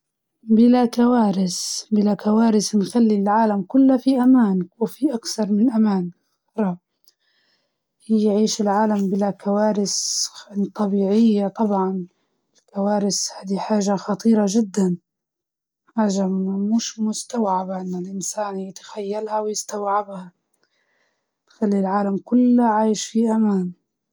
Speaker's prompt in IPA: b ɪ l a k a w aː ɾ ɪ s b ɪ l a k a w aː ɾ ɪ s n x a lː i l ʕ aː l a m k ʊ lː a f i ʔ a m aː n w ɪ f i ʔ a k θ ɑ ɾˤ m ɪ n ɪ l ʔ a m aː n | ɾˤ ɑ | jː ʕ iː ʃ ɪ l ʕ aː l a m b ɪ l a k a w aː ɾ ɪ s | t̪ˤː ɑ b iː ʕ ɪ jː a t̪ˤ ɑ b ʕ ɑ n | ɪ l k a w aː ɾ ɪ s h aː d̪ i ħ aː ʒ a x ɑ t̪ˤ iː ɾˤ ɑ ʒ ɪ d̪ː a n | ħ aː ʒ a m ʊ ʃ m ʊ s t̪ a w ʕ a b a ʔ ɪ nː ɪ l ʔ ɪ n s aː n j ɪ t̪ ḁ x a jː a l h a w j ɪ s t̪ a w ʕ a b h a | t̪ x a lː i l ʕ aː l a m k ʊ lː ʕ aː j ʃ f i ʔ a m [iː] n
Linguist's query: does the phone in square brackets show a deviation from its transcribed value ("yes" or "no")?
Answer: yes